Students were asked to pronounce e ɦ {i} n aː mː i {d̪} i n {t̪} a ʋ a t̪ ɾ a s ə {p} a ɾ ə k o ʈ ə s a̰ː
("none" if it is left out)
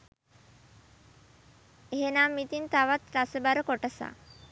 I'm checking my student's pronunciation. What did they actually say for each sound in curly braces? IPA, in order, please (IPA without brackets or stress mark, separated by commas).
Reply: e, t̪, t̪, b